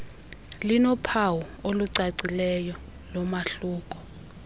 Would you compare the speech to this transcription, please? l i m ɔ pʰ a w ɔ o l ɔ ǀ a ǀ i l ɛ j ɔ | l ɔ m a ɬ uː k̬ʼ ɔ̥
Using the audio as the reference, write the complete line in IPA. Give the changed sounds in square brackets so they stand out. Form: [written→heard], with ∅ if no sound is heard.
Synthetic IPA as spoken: l i [m→n] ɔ pʰ a w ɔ o l [ɔ→u] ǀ a ǀ i l ɛ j ɔ | l ɔ m a ɬ uː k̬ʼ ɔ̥

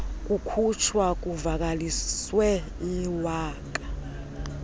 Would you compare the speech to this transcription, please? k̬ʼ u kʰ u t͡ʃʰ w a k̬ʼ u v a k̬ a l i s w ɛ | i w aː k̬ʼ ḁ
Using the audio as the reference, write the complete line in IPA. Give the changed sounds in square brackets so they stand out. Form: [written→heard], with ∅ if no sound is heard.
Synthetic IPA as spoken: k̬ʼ u kʰ u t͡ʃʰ w a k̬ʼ u v a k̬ a l i s w ɛ | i w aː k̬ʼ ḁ

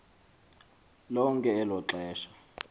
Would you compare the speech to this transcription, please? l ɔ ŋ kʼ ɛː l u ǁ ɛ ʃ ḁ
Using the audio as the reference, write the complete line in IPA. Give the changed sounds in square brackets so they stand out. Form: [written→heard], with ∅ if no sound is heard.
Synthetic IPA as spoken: l ɔ ŋ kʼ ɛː l [u→ɔ] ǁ [ɛ→ɛː] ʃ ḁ

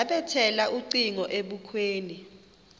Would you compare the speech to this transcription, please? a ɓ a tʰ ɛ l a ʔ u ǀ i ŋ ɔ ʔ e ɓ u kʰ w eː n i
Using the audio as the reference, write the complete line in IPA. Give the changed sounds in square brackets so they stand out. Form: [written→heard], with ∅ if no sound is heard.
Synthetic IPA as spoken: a ɓ [a→ɛ] tʰ ɛ l a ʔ u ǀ i ŋ ɔ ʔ e ɓ u kʰ w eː n i

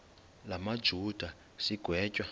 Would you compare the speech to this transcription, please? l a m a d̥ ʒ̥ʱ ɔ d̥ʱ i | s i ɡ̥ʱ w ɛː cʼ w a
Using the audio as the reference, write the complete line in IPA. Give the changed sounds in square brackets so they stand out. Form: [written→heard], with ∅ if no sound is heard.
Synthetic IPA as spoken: l a m a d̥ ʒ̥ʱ [ɔ→u] d̥ʱ [i→a] | s i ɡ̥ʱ w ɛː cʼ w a

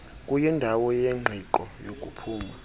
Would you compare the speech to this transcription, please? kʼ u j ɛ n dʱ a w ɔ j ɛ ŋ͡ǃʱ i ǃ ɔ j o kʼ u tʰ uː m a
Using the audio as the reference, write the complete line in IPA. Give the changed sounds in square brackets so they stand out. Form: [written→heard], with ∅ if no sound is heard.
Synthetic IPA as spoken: kʼ u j ɛ n dʱ a w ɔ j ɛ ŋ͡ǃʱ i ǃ ɔ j o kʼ u [tʰ→pʰ] uː m a

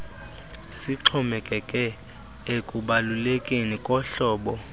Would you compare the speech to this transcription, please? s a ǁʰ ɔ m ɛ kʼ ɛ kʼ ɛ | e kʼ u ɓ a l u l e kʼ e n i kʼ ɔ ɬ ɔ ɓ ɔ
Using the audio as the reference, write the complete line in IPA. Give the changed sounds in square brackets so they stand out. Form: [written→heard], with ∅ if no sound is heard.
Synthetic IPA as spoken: s [a→i] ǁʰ ɔ m ɛ kʼ ɛ kʼ ɛ | e kʼ u ɓ a l u l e kʼ e n i kʼ ɔ ɬ [ɔ→ɔː] ɓ ɔ

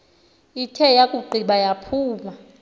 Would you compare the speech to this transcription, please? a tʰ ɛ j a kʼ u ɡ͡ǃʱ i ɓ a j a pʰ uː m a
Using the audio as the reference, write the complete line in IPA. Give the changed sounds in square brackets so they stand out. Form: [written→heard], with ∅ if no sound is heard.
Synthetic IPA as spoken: [a→i] tʰ ɛ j a kʼ u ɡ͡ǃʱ i ɓ a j a pʰ uː m a

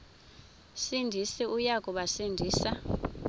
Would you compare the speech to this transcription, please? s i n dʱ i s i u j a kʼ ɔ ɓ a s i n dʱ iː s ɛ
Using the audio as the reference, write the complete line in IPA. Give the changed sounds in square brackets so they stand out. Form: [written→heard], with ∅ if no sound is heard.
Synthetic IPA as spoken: s i n dʱ i s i u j a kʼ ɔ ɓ a s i n dʱ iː s [ɛ→a]

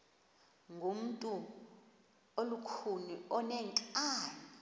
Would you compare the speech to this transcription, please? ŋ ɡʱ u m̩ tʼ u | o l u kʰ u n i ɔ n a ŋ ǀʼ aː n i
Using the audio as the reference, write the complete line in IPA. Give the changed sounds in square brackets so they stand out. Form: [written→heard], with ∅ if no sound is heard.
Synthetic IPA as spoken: ŋ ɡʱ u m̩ tʼ u | o l u kʰ u n i ɔ n [a→ɛ] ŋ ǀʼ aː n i

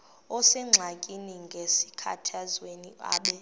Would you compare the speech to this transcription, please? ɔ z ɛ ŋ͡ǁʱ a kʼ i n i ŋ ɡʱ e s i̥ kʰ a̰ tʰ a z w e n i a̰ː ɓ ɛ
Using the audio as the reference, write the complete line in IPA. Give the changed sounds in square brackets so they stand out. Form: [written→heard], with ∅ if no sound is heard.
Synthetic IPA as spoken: ɔ [z→s] ɛ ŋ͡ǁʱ a kʼ i n i ŋ ɡʱ e s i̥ kʰ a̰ tʰ a z w e n i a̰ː ɓ ɛ

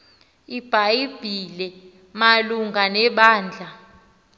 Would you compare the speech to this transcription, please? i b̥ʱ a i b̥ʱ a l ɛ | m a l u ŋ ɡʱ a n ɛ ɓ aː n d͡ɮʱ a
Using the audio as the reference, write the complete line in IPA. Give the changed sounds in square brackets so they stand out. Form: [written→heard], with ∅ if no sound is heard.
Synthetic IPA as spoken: i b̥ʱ a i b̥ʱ [a→i] l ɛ | m a l u ŋ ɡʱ a n ɛ ɓ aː n d͡ɮʱ a

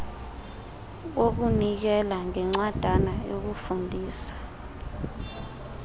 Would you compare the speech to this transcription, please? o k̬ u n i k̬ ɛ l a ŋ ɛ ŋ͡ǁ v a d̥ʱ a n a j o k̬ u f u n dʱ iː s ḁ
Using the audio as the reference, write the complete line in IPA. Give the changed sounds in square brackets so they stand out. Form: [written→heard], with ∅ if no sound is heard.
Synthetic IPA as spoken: o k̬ u n i k̬ ɛ l a ŋ ɛ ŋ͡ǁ [v→w] a d̥ʱ a n a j o k̬ u f u n dʱ iː s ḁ

